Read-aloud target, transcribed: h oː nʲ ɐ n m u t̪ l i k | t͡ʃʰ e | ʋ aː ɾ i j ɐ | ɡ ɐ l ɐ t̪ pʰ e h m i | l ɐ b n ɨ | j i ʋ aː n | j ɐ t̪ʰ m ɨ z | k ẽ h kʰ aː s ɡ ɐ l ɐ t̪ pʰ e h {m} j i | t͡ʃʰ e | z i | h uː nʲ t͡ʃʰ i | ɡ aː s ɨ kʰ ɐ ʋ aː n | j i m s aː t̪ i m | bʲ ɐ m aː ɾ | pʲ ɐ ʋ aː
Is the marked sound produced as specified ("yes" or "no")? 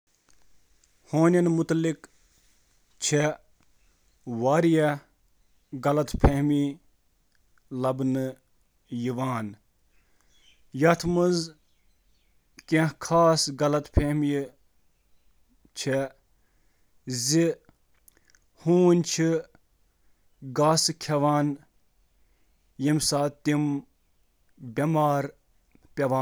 yes